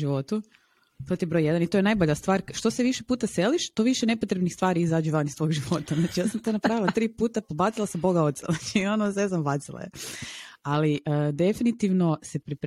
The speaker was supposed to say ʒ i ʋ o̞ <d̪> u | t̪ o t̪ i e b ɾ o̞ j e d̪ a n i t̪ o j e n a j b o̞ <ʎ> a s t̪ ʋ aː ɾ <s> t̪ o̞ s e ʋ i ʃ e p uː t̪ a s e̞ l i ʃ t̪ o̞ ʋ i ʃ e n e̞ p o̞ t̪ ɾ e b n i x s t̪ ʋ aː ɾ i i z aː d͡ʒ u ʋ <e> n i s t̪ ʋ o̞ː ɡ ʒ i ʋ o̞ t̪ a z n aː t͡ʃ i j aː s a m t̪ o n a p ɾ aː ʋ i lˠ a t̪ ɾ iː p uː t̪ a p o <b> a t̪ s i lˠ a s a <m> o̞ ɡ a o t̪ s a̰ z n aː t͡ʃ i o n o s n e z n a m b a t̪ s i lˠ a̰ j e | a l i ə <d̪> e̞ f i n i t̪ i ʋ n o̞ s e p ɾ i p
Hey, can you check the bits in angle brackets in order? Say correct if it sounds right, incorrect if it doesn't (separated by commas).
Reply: incorrect, correct, incorrect, incorrect, correct, incorrect, correct